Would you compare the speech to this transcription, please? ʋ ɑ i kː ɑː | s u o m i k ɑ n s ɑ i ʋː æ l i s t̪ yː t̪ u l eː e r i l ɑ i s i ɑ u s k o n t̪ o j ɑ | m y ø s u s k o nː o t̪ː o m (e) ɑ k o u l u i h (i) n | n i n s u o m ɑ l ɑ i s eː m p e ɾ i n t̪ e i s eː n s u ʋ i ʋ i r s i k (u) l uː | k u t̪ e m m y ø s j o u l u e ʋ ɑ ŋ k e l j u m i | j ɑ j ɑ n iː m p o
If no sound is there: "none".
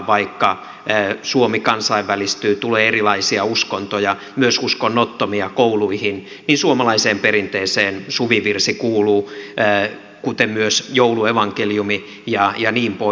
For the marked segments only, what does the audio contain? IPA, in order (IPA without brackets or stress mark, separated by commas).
i, i, uː